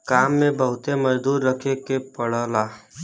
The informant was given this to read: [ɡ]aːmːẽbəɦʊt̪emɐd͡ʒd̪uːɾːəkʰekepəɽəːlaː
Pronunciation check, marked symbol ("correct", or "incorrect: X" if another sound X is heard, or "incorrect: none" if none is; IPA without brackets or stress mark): incorrect: k